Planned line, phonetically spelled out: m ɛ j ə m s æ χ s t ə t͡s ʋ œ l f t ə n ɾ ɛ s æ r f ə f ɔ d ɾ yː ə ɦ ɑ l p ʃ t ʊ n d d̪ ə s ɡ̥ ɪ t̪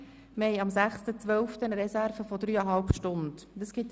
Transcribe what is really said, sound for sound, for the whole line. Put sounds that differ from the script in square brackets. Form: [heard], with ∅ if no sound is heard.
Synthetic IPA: m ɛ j [ɑ] m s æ χ s t ə t͡s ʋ œ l f t ə n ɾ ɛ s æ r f ə f ɔ d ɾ yː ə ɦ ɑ l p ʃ t ʊ n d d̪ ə s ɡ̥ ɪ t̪